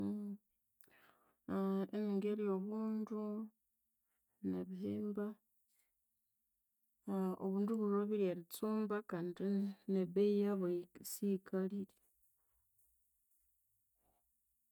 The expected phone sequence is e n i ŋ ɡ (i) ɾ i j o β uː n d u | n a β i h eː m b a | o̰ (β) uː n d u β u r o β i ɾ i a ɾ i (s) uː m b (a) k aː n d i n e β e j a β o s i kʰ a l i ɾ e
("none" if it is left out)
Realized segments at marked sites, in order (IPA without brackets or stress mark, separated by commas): e, β, t͡s, a